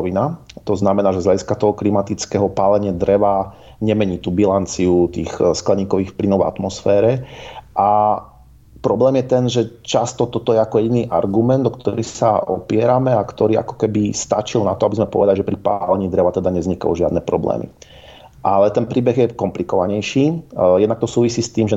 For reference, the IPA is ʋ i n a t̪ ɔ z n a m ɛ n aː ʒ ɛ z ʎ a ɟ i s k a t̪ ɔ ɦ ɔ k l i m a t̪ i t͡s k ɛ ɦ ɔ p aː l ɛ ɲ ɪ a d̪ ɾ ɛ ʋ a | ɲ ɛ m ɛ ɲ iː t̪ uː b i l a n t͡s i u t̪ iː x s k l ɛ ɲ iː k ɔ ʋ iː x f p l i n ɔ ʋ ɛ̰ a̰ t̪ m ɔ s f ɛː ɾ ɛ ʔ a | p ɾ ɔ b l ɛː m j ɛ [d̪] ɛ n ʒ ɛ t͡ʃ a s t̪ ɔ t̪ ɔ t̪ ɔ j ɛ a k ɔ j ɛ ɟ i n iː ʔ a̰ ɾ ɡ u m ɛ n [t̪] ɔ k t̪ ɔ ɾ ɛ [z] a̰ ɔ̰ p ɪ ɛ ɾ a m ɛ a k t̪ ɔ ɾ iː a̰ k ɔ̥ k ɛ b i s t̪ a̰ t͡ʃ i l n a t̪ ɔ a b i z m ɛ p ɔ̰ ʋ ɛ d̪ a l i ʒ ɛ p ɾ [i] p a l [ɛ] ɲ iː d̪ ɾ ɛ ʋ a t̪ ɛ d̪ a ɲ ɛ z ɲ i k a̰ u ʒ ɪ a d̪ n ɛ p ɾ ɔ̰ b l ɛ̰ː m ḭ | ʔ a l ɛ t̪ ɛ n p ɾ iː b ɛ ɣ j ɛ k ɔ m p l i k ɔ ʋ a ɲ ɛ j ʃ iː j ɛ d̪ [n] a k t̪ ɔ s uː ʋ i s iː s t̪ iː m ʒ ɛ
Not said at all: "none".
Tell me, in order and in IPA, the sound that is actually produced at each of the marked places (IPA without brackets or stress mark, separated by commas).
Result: t̪, d̪, s, i, ɛ, n